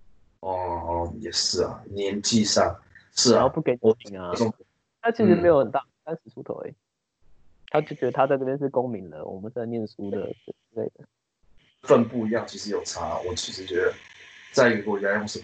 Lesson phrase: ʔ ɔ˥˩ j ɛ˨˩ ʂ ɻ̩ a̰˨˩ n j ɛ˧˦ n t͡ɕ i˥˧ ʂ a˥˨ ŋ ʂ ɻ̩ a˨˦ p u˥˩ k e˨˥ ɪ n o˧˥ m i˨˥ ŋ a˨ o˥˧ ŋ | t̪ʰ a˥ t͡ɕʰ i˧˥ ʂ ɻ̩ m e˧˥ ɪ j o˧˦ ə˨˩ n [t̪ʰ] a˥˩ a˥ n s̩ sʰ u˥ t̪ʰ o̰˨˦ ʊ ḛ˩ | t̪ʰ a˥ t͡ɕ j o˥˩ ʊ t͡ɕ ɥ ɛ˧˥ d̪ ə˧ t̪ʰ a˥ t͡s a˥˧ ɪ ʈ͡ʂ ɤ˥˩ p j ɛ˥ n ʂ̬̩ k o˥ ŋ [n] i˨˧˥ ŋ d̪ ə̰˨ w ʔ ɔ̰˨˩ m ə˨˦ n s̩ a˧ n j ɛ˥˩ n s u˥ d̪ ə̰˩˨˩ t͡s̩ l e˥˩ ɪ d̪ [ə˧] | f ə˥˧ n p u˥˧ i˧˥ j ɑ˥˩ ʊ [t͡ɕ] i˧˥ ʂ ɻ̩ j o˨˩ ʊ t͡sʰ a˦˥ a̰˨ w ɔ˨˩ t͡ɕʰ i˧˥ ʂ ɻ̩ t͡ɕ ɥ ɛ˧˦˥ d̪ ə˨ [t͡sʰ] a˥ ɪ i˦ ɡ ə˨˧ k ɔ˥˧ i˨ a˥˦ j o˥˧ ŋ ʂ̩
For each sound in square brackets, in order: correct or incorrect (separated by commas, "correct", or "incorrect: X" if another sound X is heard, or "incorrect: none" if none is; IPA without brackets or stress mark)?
incorrect: t̪, incorrect: m, incorrect: ə˩, incorrect: t͡ɕʰ, incorrect: t͡s